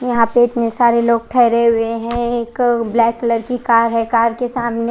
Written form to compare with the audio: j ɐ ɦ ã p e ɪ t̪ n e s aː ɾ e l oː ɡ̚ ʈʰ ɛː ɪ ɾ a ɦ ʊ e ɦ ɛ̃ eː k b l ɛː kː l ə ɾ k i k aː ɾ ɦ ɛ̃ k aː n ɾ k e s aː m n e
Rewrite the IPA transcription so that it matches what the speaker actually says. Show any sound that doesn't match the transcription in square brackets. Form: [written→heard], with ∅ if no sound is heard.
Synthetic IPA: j ɐ ɦ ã p e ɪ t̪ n e s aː ɾ e l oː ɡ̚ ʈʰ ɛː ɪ ɾ [a→e] ɦ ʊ e ɦ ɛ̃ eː k b l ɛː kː l ə ɾ k i k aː ɾ ɦ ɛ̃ k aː [n→∅] ɾ k e s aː m n e

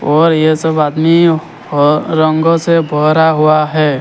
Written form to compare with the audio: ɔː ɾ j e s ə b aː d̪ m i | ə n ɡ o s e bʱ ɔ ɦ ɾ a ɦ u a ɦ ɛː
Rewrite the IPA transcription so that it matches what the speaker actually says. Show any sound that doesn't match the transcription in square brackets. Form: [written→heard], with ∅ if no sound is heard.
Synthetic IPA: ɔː ɾ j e s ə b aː d̪ m i | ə [n→ŋ] ɡ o s e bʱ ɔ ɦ ɾ a ɦ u a ɦ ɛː

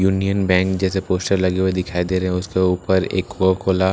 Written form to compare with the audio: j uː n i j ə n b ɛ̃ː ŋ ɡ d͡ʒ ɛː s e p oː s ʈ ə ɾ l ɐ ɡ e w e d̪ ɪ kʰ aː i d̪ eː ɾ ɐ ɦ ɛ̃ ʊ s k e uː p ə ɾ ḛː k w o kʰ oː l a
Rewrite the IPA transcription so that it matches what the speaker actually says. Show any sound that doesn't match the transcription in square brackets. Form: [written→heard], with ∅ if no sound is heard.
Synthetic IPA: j uː n i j ə n b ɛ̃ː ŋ [ɡ→k] d͡ʒ ɛː s e p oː s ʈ ə ɾ l ɐ ɡ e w e d̪ ɪ kʰ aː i d̪ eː ɾ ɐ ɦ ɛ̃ ʊ s k e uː p ə ɾ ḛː k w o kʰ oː l a

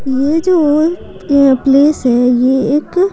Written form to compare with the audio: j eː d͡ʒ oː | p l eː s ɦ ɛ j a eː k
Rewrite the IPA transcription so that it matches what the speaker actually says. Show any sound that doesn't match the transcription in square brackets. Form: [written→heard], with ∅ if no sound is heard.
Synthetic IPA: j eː d͡ʒ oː | p l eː s ɦ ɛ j [a→e] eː k

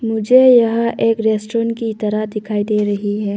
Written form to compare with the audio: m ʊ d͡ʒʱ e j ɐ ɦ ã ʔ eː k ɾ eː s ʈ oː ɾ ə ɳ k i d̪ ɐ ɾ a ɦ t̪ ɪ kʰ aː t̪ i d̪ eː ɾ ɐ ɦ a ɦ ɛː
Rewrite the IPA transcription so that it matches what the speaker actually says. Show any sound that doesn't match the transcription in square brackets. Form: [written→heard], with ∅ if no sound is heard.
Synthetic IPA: m ʊ d͡ʒʱ e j ɐ ɦ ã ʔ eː k ɾ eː s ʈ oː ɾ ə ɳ k i [d̪→t̪] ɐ ɾ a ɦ [t̪→d̪] ɪ kʰ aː [t̪→∅] i d̪ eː ɾ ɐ ɦ [a→i] ɦ ɛː

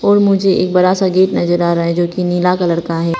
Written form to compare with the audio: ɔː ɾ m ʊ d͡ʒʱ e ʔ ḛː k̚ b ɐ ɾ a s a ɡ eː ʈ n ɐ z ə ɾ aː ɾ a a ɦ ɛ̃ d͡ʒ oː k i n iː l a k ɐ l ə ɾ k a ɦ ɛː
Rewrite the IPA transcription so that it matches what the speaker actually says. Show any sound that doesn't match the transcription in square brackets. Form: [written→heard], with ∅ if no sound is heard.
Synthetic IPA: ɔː ɾ m ʊ d͡ʒʱ e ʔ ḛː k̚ b ɐ ɾ a s a ɡ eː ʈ n ɐ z ə ɾ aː ɾ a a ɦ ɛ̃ d͡ʒ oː k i n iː l a k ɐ l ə ɾ k a ɦ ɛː

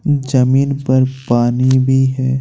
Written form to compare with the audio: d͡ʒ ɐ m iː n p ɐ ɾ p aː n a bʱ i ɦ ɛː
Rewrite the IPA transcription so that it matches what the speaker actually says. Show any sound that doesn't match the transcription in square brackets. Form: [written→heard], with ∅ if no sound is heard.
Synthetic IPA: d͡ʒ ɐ m iː n p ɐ ɾ p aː n [a→i] bʱ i ɦ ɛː

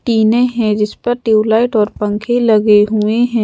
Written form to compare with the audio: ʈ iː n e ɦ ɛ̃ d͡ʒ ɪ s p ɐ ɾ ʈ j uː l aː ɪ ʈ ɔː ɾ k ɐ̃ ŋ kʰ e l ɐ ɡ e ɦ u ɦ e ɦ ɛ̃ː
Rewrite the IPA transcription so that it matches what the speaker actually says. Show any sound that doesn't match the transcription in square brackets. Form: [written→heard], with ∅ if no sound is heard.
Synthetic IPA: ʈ iː n e ɦ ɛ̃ d͡ʒ ɪ s p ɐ ɾ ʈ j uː l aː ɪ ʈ ɔː ɾ [k→p] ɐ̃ ŋ kʰ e l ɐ ɡ e ɦ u [ɦ→∅] e ɦ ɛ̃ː

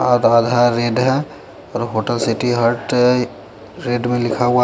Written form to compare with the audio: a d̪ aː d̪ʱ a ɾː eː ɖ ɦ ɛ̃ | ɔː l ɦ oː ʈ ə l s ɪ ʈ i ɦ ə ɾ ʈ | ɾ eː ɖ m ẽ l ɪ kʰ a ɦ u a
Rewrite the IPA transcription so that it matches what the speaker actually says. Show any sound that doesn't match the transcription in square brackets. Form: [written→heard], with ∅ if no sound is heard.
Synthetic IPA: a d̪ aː d̪ʱ a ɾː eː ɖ ɦ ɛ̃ | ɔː [l→ɾ] ɦ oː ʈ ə l s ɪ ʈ i ɦ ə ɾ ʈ | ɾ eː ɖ m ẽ l ɪ kʰ a ɦ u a

